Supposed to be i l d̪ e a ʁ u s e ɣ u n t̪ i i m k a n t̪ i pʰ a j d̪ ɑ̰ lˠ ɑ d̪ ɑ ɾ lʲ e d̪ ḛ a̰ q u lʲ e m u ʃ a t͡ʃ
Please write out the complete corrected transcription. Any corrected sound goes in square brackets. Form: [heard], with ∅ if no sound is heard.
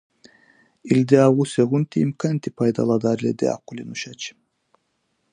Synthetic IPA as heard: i l d̪ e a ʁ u s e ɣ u n t̪ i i m k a n t̪ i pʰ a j d̪ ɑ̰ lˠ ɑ d̪ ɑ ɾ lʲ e d̪ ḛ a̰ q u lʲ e [n] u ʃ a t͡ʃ